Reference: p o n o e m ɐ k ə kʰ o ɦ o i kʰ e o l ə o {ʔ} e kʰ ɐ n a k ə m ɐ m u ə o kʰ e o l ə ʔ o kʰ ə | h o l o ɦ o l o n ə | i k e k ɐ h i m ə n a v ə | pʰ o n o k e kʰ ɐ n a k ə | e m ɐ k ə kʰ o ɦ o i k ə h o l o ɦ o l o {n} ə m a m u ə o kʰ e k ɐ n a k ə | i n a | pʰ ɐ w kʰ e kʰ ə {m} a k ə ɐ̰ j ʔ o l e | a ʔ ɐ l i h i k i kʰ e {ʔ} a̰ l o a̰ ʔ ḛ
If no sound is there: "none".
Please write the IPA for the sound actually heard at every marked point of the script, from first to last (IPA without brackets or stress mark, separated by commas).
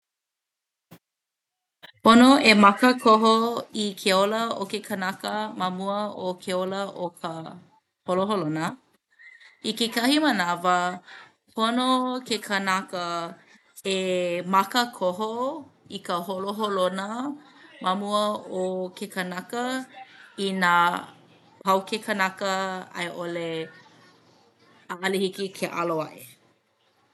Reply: k, n, n, ʔ